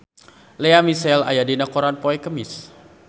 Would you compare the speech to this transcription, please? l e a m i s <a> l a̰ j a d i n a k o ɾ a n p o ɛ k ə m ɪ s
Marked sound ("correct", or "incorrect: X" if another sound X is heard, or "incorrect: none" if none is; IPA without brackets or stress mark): incorrect: ɛ